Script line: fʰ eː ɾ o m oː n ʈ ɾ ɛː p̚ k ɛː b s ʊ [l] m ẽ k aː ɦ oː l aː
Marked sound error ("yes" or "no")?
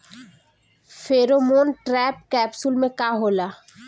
no